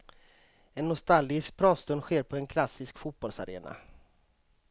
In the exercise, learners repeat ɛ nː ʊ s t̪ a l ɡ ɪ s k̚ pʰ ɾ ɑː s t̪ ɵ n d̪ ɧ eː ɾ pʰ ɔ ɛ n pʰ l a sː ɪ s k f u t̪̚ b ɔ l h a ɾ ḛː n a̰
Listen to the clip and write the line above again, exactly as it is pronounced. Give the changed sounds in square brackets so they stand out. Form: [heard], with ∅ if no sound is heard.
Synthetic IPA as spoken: ɛ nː ʊ s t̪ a l ɡ ɪ s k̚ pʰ ɾ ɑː s t̪ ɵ n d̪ ɧ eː ɾ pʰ ɔ ɛ n [kʰ] l a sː ɪ s k f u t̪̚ b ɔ l [s] a ɾ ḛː n a̰